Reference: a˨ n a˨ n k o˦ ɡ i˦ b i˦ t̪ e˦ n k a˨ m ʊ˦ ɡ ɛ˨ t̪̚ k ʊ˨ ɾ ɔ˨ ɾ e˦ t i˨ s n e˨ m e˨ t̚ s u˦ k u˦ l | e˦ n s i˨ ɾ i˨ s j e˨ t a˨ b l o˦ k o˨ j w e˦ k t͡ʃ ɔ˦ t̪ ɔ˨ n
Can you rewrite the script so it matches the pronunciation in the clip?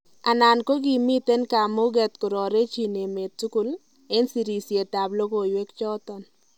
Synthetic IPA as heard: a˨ n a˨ n k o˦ ɡ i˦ m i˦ t̪ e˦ n k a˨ m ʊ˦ ɡ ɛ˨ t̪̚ k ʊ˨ ɾ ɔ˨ ɾ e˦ t͡ʃ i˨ n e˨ m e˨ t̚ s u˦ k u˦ l | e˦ n s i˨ ɾ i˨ s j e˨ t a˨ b l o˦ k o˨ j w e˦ k t͡ʃ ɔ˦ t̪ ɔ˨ n